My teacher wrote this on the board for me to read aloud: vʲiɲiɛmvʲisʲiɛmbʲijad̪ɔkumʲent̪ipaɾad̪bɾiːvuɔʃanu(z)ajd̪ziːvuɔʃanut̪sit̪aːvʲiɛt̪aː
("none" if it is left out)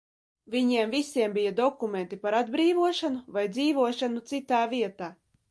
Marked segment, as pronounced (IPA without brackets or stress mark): v